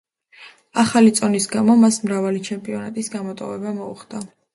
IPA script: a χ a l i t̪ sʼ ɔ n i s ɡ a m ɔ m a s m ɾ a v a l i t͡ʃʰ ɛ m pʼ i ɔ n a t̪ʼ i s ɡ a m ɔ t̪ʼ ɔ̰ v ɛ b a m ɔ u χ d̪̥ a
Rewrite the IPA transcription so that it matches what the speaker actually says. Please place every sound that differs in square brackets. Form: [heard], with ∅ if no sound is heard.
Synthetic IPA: a χ a l i t̪ sʼ ɔ n i s ɡ a m ɔ m a s m ɾ a v a l i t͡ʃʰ ɛ m pʼ i ɔ n a t̪ʼ i s ɡ a m ɔ t̪ʼ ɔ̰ v ɛ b a m ɔ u χ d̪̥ a